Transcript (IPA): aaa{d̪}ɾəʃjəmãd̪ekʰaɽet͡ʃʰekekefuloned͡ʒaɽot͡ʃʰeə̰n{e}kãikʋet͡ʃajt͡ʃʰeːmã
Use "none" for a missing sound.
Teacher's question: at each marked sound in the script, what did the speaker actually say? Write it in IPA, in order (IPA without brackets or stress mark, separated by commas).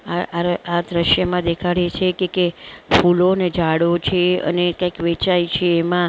d̪, e